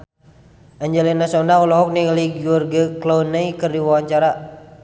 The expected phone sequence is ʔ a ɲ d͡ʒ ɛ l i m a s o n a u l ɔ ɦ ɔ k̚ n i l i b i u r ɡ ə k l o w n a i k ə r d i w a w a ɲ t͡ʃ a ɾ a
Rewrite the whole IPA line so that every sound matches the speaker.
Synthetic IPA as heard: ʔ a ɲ d͡ʒ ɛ l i n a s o n a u l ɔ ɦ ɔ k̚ n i l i ɡ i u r ɡ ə k l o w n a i k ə r d i w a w a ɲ t͡ʃ a ɾ a

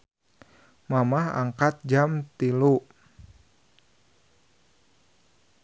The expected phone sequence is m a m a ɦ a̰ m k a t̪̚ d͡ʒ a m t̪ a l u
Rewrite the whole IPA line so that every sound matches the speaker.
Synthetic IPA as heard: m a m a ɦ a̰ ŋ k a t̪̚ d͡ʒ a m t̪ i l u

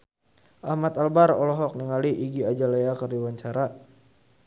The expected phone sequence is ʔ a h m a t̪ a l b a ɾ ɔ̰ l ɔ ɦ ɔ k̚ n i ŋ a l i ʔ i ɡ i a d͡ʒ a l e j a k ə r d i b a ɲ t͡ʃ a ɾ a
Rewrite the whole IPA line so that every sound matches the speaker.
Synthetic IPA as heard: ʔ a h m a t̪ a l b a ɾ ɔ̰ l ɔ ɦ ɔ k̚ n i ŋ a l i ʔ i ɡ i a d͡ʒ a l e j a k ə r d i w a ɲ t͡ʃ a ɾ a

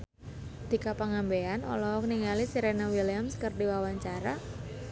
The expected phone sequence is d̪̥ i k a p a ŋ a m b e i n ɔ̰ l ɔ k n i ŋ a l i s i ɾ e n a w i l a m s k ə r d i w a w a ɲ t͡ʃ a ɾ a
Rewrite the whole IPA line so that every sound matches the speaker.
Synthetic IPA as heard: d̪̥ i k a p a ŋ a m b e a n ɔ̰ l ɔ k n i ŋ a l i s i ɾ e n a w i l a m s k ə r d i w a w a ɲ t͡ʃ a ɾ a

